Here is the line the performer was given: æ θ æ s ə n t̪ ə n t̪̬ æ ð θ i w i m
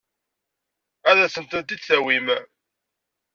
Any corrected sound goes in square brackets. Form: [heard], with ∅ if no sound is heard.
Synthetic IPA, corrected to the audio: æ [ð] æ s ə n t̪ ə n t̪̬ [i] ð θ [æ] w i m